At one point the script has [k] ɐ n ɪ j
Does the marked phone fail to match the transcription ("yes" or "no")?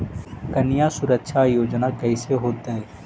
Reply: no